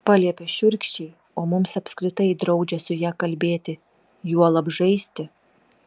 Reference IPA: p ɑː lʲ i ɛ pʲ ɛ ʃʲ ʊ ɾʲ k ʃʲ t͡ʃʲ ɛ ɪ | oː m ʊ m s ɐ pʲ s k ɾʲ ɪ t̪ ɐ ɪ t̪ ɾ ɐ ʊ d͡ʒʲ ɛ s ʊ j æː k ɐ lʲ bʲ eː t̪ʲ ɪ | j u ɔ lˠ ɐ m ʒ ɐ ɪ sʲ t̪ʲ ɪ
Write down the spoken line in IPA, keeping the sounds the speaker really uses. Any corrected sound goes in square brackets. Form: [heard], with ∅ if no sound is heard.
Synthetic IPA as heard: p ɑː lʲ i ɛ pʲ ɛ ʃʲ ʊ ɾʲ k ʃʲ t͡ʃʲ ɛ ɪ | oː m ʊ m s ɐ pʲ s k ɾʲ ɪ t̪ ɐ ɪ [d̪] ɾ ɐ ʊ d͡ʒʲ ɛ s ʊ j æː k ɐ lʲ bʲ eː t̪ʲ ɪ | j u ɔ lˠ ɐ [b] ʒ ɐ ɪ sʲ t̪ʲ ɪ